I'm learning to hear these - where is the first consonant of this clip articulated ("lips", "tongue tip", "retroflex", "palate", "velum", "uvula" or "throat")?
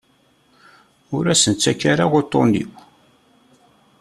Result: tongue tip